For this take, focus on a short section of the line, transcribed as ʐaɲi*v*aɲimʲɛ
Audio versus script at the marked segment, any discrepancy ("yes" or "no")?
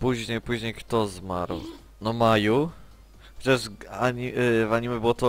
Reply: no